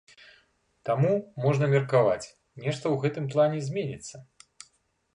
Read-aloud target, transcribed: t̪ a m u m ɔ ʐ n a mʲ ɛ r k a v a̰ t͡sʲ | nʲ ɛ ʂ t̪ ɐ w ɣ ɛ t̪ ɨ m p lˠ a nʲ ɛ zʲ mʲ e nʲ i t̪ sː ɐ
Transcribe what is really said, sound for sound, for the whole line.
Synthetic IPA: t̪ a m u m ɔ ʐ n ɐ mʲ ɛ r k a v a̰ t͡sʲ | nʲ ɛ ʂ t̪ ɐ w ɣ ɛ t̪ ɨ m p lˠ a nʲ ɛ zʲ mʲ e nʲ i t̪ sː ɐ